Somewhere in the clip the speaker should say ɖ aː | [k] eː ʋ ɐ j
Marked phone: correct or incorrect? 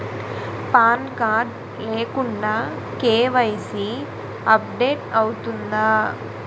correct